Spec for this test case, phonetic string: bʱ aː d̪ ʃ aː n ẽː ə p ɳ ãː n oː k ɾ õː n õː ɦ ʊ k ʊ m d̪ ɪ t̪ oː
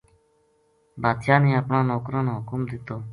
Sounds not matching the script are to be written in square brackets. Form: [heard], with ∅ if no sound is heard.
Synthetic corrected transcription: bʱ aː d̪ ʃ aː n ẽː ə p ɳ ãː n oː k ɾ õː n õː ɦ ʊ k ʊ m d̪ ɪ t̪ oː